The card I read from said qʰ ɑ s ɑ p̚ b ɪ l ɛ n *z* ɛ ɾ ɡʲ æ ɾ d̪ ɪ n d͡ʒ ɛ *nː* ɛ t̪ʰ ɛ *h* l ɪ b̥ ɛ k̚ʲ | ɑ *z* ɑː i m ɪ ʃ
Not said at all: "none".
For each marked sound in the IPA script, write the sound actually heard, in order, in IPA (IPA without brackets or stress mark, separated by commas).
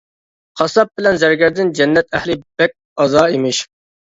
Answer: z, nː, h, z